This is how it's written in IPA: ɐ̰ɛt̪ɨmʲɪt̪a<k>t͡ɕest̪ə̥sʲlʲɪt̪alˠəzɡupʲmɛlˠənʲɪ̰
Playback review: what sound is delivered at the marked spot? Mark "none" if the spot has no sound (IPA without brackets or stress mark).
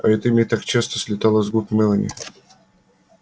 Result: k